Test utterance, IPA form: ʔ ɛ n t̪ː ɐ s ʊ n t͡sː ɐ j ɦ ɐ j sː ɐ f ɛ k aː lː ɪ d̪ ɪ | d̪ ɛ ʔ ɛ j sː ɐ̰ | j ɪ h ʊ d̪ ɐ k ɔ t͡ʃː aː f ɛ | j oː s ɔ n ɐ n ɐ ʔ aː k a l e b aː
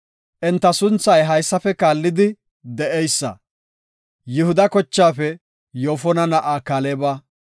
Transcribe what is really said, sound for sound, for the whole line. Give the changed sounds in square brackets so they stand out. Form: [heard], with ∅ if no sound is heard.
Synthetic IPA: ʔ ɛ n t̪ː ɐ s ʊ n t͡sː ɐ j ɦ ɐ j sː ɐ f ɛ k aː lː ɪ d̪ ɪ | d̪ ɛ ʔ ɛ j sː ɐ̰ | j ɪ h ʊ d̪ ɐ k ɔ t͡ʃː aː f ɛ | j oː [f] ɔ n ɐ n ɐ ʔ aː k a l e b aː